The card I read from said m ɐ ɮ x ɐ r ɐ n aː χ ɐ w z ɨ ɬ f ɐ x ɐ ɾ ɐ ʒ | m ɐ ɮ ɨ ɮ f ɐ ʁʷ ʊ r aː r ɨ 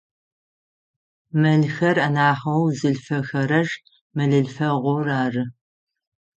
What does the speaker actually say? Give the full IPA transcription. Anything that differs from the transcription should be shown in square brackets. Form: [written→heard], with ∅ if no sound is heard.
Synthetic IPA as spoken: m ɐ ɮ x ɐ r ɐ n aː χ ɐ w z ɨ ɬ f ɐ x ɐ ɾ ɐ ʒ | m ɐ ɮ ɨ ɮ f ɐ ʁʷ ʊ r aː r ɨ